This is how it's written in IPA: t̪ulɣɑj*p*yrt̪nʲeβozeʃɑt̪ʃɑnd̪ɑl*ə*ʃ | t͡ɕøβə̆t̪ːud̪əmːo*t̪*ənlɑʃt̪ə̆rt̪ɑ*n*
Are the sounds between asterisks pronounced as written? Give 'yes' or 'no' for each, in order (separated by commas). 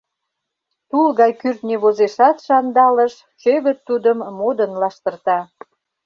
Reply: no, yes, no, no